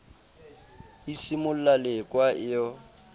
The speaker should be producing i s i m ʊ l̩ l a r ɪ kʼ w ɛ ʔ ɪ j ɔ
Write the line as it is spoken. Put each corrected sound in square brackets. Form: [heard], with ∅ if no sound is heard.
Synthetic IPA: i s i m ʊ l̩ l a [l] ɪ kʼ w [a] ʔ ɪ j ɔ